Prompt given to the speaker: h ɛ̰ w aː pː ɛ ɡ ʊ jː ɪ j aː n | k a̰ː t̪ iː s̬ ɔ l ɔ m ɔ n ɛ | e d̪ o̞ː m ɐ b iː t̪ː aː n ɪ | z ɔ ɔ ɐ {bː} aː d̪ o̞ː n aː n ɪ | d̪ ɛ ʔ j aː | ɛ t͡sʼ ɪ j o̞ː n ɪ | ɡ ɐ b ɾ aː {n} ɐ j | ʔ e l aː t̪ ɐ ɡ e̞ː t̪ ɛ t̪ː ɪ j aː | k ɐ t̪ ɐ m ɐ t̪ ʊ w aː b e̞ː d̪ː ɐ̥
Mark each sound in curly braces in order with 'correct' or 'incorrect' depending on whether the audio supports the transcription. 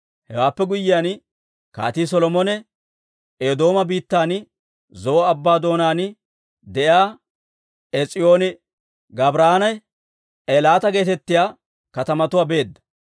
correct, correct

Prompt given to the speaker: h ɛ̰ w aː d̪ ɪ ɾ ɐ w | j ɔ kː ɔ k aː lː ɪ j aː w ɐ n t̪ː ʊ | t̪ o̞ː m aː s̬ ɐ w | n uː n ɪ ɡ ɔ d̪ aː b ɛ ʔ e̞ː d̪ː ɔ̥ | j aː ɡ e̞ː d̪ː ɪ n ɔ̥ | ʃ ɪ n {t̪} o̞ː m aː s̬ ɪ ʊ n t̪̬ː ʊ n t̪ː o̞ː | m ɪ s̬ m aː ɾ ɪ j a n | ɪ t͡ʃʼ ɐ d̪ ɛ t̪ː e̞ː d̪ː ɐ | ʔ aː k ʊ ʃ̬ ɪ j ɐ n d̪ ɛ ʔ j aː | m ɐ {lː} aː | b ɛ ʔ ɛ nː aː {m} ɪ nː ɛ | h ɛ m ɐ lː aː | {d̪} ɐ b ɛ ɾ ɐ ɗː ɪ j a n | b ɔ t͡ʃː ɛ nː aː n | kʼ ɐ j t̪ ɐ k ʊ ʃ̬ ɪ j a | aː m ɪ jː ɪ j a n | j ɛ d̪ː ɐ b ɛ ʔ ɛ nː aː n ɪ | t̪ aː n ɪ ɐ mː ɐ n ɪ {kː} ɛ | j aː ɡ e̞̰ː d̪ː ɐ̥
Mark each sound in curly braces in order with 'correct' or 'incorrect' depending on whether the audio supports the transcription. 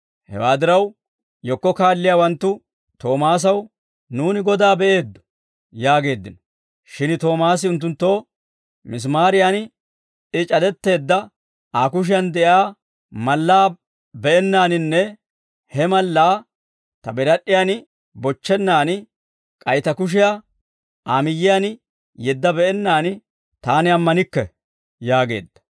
correct, correct, incorrect: n, incorrect: t̪, correct

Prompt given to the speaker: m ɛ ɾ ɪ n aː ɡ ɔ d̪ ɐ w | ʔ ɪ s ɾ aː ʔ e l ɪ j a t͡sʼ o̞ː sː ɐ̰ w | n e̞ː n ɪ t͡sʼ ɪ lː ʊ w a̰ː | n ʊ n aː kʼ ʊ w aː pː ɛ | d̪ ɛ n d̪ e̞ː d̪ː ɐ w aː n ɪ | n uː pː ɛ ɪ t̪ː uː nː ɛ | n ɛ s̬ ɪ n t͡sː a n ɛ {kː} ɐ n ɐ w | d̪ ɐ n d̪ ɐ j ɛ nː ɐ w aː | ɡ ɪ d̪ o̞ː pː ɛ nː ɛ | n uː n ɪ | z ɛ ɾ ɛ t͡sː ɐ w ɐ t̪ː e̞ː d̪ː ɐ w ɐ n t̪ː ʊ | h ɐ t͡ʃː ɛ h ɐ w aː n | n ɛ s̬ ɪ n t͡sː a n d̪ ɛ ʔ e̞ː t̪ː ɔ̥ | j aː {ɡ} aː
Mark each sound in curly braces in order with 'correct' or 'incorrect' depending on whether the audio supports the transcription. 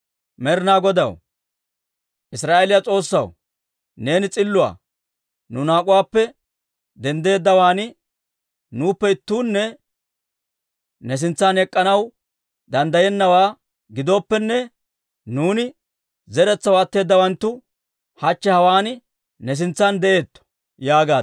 incorrect: kʼː, correct

